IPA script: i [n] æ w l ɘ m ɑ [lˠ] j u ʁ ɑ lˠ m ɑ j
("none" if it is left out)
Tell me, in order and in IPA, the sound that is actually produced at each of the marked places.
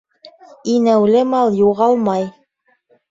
n, lˠ

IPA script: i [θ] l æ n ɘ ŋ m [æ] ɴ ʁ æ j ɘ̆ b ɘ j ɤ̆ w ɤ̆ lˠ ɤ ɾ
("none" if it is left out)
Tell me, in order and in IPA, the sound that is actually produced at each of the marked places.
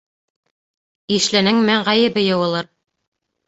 ʃ, æ

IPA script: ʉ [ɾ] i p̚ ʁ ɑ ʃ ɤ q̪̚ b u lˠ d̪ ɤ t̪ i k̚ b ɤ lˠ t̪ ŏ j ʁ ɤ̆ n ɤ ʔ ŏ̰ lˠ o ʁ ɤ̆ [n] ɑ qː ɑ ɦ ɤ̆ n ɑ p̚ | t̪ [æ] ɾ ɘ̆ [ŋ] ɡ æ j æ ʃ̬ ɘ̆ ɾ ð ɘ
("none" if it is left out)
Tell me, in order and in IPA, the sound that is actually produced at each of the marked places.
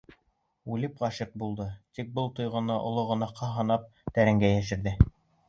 l, n, æ, ŋ

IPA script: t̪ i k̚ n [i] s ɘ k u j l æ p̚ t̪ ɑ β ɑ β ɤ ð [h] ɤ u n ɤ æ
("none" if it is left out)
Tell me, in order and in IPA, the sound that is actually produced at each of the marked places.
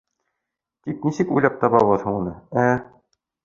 i, h

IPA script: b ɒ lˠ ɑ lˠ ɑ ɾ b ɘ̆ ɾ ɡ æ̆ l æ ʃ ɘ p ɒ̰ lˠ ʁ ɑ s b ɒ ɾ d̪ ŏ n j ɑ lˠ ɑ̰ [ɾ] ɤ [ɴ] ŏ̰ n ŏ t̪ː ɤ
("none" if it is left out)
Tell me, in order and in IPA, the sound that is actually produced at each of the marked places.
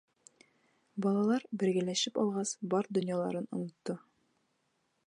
ɾ, n

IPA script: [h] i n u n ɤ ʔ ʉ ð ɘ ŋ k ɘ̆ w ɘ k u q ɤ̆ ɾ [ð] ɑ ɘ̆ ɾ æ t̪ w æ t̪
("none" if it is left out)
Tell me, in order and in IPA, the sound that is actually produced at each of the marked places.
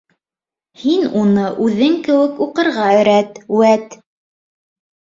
h, ʁ

